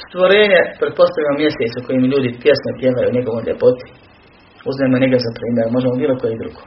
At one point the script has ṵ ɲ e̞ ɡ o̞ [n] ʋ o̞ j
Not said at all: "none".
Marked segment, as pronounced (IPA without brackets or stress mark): none